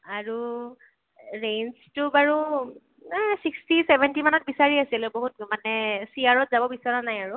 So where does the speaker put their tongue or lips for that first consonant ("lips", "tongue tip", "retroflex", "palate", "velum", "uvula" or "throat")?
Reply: tongue tip